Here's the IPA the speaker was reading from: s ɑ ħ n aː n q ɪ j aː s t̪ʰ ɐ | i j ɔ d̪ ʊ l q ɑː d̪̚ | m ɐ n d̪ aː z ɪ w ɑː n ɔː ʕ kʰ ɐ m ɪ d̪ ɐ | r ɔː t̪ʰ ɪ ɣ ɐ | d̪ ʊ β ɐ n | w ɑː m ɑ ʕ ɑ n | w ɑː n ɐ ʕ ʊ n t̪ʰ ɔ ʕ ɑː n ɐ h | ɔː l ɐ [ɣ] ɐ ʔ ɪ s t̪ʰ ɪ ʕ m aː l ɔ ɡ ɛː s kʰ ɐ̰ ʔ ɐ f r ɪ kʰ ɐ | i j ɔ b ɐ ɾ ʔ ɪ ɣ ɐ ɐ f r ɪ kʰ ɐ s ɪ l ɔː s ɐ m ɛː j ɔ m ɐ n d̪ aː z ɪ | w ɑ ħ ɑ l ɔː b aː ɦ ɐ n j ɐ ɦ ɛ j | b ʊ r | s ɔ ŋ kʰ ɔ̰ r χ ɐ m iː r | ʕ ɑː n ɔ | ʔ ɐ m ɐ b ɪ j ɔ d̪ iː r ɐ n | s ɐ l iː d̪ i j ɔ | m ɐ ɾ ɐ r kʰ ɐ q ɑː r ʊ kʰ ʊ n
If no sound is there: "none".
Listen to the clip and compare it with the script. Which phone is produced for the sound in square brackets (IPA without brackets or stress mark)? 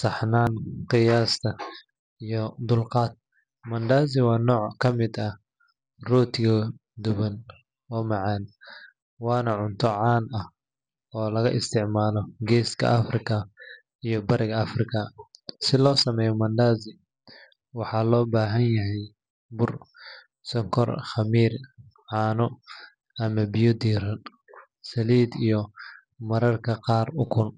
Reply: ɣ